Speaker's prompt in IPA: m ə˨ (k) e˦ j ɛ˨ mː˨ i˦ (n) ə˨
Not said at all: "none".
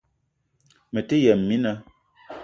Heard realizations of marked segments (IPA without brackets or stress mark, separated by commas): t, n